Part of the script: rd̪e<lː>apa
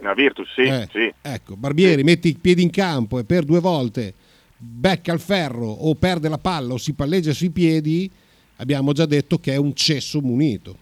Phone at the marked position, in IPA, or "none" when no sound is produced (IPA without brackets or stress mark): l